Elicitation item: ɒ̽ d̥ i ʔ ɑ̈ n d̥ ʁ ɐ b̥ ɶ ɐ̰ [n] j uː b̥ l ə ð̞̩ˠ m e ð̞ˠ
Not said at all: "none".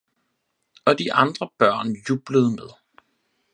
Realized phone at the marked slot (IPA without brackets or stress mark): n